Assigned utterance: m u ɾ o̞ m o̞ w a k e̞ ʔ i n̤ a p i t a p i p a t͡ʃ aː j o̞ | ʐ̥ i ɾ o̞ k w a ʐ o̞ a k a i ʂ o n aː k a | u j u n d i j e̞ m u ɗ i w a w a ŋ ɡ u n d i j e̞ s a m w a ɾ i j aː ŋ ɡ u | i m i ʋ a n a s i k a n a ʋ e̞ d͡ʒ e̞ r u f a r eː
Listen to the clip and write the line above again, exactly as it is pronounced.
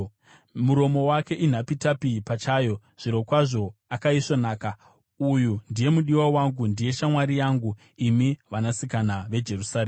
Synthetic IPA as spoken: m u ɾ o̞ m o̞ w a k e̞ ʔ i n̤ a p i t a p i p a t͡ʃ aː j o̞ | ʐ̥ i ɾ o̞ k w a ʐ o̞ a k a i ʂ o n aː k a | u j u n d i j e̞ m u ɗ i w a w a ŋ ɡ u n d i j e̞ ʃ a m w a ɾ i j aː ŋ ɡ u | i m i ʋ a n a s i k a n a ʋ e̞ d͡ʒ e̞ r u s a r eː